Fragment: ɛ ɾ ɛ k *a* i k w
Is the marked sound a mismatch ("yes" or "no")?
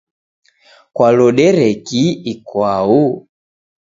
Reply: yes